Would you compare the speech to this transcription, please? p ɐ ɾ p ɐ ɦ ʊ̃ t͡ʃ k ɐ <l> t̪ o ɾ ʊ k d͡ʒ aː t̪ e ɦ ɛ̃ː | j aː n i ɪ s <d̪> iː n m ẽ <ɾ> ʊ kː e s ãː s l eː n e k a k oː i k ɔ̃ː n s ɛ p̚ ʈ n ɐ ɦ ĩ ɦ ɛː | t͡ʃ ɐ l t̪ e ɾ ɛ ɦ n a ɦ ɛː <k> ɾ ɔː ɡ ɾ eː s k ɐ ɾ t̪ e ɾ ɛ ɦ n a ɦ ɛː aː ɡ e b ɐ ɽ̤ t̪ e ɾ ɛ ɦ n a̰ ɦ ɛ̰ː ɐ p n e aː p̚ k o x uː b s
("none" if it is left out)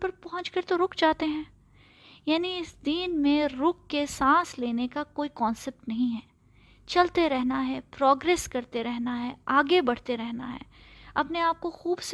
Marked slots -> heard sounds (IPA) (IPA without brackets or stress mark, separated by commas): ɾ, d̪, ɾ, p